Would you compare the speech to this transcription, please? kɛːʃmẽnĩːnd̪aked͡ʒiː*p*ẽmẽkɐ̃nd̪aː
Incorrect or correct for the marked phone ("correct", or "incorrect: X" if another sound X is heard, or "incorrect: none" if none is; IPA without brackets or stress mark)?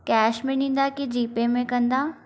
correct